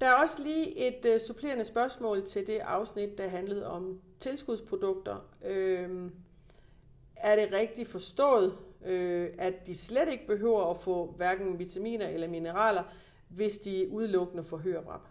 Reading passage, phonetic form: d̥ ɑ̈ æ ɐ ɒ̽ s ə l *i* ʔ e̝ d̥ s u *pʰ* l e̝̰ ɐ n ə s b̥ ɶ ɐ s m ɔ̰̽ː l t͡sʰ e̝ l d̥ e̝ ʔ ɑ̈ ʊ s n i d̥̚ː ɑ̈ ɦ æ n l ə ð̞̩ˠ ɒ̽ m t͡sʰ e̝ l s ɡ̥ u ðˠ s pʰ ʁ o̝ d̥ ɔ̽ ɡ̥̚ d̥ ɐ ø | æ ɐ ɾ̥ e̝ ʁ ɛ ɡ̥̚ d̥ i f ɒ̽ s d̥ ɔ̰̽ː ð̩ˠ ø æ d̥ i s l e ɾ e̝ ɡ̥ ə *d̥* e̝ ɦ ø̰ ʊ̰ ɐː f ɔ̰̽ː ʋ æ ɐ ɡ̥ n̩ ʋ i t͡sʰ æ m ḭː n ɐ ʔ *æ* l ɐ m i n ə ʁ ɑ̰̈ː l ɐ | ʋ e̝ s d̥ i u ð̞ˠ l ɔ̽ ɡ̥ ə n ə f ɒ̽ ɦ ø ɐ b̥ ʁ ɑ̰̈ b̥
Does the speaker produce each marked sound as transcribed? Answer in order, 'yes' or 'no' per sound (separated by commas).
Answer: no, yes, no, no